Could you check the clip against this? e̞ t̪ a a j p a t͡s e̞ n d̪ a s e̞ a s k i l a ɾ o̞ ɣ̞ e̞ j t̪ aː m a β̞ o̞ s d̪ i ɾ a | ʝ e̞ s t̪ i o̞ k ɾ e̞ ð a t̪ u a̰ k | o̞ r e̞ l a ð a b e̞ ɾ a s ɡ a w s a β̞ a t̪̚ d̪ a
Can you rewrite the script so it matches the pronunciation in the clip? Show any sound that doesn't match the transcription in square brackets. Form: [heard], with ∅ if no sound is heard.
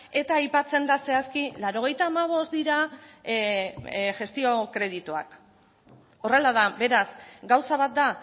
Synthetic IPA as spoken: e̞ t̪ a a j p a t͡s e̞ n d̪ a s e̞ a s k i l a ɾ o̞ ɣ̞ e̞ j t̪ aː m a β̞ o̞ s d̪ i ɾ a | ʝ e̞ s t̪ i o̞ k ɾ e̞ ð [i] t̪ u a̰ k | o̞ r e̞ l a ð a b e̞ ɾ a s ɡ a w s a β̞ a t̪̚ d̪ a

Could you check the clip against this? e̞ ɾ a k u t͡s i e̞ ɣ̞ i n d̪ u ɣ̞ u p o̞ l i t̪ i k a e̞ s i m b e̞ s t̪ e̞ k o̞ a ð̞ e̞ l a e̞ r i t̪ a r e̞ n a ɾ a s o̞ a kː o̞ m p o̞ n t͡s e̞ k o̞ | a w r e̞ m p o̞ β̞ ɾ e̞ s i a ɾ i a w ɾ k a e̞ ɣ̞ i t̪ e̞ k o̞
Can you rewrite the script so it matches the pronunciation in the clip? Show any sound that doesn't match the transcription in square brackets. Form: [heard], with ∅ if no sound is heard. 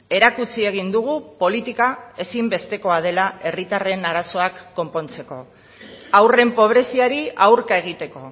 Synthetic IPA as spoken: e̞ ɾ a k u t͡s i e̞ ɣ̞ i n d̪ u ɣ̞ u p o̞ l i t̪ i k a e̞ s i m b e̞ s t̪ e̞ k o̞ a ð̞ e̞ l a e̞ r i t̪ a r e̞ n a ɾ a s o̞ a kː o̞ m p o̞ n t͡s e̞ k o̞ | a w r e̞ m p o̞ β̞ ɾ e̞ s i a ɾ i a w ɾ k a e̞ ɣ̞ i t̪ e̞ k o̞

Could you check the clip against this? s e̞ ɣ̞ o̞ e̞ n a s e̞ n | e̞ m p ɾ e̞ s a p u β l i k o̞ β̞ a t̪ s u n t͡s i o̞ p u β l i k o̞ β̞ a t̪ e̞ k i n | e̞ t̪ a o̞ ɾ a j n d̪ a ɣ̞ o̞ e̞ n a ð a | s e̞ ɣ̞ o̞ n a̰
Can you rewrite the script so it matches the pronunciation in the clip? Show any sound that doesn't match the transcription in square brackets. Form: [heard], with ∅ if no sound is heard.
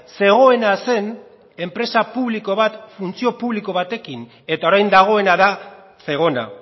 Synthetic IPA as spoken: s e̞ ɣ̞ o̞ e̞ n a s e̞ n | e̞ m p ɾ e̞ s a p u β l i k o̞ β̞ a t̪ [f] u n t͡s i o̞ p u β l i k o̞ β̞ a t̪ e̞ k i n | e̞ t̪ a o̞ ɾ a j n d̪ a ɣ̞ o̞ e̞ n a ð a | s e̞ ɣ̞ o̞ n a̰

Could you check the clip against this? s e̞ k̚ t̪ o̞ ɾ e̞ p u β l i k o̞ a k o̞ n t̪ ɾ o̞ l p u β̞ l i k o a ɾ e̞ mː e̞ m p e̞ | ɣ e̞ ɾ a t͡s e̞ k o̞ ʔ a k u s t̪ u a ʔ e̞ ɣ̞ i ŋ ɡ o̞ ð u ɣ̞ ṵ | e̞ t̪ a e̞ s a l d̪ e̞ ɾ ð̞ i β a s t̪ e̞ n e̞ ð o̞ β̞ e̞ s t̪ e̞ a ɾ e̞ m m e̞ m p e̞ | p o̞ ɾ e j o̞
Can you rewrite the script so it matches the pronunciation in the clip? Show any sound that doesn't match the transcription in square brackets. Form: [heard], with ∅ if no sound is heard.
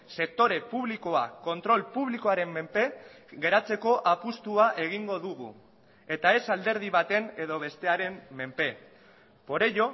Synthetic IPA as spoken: s e̞ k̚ t̪ o̞ ɾ e̞ p u β l i k o̞ a k o̞ n t̪ ɾ o̞ l p u β̞ l i k o a ɾ e̞ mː e̞ m p e̞ | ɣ e̞ ɾ a t͡s e̞ k o̞ ʔ a [p] u s t̪ u a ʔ e̞ ɣ̞ i ŋ ɡ o̞ ð u ɣ̞ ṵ | e̞ t̪ a e̞ s a l d̪ e̞ ɾ ð̞ i β a [∅] t̪ e̞ n e̞ ð o̞ β̞ e̞ s t̪ e̞ a ɾ e̞ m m e̞ m p e̞ | p o̞ ɾ e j o̞

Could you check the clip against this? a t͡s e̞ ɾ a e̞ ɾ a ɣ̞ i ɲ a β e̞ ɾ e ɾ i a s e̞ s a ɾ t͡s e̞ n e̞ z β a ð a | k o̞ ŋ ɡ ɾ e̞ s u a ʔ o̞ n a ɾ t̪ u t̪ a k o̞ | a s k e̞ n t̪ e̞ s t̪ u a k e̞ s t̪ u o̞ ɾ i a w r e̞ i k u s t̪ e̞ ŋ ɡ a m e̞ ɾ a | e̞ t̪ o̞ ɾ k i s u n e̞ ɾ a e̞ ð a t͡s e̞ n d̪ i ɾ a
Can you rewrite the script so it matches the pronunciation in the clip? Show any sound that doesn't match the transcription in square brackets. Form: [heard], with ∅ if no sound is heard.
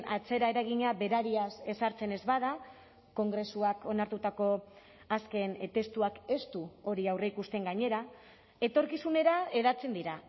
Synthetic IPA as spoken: a t͡s e̞ ɾ a e̞ ɾ a ɣ̞ i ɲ a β e̞ ɾ [a] ɾ i a s e̞ s a ɾ t͡s e̞ n e̞ z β a ð a | k o̞ ŋ ɡ ɾ e̞ s u a [k] o̞ n a ɾ t̪ u t̪ a k o̞ | a s k e̞ n t̪ e̞ s t̪ u a k e̞ s t̪ u o̞ ɾ i a w r e̞ i k u s t̪ e̞ ŋ ɡ a [ɲ] e̞ ɾ a | e̞ t̪ o̞ ɾ k i s u n e̞ ɾ a e̞ ð a t͡s e̞ n d̪ i ɾ a

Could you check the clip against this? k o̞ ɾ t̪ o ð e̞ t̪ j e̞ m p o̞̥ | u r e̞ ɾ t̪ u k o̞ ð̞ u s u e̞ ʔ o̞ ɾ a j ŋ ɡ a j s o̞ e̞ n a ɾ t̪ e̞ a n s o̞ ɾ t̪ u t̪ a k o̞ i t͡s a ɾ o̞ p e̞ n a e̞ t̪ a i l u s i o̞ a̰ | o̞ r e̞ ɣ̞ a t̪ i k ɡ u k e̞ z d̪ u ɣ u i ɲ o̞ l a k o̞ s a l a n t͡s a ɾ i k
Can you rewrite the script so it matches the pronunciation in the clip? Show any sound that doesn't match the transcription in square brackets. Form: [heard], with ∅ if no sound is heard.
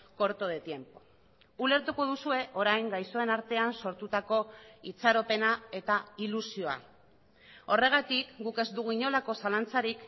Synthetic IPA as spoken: k o̞ ɾ t̪ o ð e̞ t̪ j e̞ m p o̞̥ | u [l] e̞ ɾ t̪ u k o̞ ð̞ u s u e̞ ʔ o̞ ɾ a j ŋ ɡ a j s o̞ e̞ n a ɾ t̪ e̞ a n s o̞ ɾ t̪ u t̪ a k o̞ i t͡s a ɾ o̞ p e̞ n a e̞ t̪ a i l u s i o̞ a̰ | o̞ r e̞ ɣ̞ a t̪ i k ɡ u k e̞ z d̪ u ɣ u i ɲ o̞ l a k o̞ s a l a n t͡s a ɾ i k

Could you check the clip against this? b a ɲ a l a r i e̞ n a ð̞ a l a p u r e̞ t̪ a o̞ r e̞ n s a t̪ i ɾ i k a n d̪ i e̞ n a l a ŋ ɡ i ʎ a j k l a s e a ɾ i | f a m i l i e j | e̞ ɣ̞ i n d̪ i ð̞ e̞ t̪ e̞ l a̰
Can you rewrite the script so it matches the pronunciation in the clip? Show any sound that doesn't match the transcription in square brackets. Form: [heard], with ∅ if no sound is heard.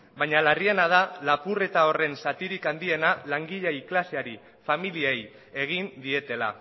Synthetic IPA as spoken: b a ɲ a l a r i e̞ n a ð̞ a l a p u r e̞ t̪ a o̞ r e̞ n s a t̪ i ɾ i k a n d̪ i e̞ n a l a ŋ ɡ i ʎ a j k l a s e a ɾ i | f a m i l i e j | e̞ ɣ̞ i n d̪ i [∅] e̞ t̪ e̞ l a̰

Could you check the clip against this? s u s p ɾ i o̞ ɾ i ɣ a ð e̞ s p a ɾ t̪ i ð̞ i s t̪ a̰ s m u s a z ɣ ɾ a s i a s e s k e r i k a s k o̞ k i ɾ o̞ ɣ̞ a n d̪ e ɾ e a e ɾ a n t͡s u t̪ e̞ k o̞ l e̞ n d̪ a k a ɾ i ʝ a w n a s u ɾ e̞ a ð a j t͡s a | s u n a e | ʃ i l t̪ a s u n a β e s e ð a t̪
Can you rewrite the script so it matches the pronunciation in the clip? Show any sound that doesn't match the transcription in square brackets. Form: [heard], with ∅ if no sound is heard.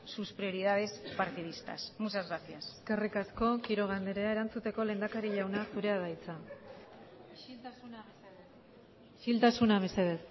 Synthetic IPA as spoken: s u s p ɾ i o̞ ɾ i [ð] a ð e̞ s p a ɾ t̪ i ð̞ i s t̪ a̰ s m u s a z ɣ ɾ a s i a s e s k e r i k a s k o̞ k i ɾ o̞ ɣ̞ a n d̪ e ɾ e a e ɾ a n t͡s u t̪ e̞ k o̞ l e̞ n d̪ a k a ɾ i [ʎ] a w n a s u ɾ e̞ a ð a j t͡s a | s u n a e | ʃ i l t̪ a s u n a β e s e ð [e] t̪

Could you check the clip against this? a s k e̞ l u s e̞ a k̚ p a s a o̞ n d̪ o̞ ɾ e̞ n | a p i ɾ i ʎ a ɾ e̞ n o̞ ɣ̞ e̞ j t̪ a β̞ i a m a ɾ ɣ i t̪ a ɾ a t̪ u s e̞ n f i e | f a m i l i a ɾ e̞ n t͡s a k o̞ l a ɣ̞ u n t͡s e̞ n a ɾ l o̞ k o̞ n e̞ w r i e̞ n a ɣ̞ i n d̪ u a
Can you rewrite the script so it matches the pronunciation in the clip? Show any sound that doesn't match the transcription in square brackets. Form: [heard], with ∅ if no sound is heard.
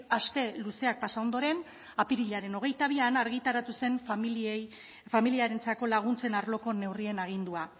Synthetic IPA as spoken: a s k e̞ l u s e̞ a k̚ p a s a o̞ n d̪ o̞ ɾ e̞ n | a p i ɾ i ʎ a ɾ e̞ n o̞ ɣ̞ e̞ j t̪ a β̞ i a [n] a ɾ ɣ i t̪ a ɾ a t̪ u s e̞ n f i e | f a m i l i a ɾ e̞ n t͡s a k o̞ l a ɣ̞ u n t͡s e̞ n a ɾ l o̞ k o̞ n e̞ w r i e̞ n a ɣ̞ i n d̪ u a

